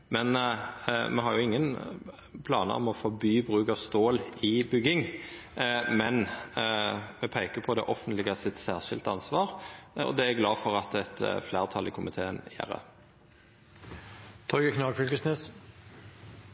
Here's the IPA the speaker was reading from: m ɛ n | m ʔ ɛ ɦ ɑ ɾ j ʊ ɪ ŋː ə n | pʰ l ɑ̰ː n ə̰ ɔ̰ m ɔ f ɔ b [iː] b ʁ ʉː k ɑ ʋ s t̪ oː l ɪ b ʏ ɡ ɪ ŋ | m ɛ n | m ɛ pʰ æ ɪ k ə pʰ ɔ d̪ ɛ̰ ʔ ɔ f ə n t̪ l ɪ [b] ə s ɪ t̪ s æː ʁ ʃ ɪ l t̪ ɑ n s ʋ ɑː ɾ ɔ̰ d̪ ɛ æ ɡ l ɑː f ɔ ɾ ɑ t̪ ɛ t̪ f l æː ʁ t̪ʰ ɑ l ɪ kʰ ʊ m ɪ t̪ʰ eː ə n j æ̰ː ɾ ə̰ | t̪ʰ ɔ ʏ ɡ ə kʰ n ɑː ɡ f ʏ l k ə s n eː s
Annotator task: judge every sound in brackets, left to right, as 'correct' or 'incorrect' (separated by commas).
incorrect, incorrect